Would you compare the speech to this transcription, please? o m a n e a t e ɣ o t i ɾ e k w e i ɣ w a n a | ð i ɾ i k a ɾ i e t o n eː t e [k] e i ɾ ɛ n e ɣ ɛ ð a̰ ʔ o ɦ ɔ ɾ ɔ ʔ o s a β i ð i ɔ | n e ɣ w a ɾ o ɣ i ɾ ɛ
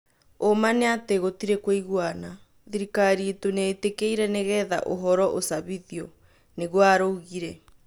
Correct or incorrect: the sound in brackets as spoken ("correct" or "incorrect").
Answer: correct